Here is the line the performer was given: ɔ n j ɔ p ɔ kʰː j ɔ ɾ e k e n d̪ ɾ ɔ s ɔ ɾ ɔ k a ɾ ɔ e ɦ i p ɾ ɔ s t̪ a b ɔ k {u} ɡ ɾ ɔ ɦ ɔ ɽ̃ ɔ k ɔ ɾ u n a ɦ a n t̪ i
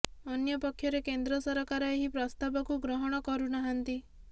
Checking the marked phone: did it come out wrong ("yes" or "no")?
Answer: no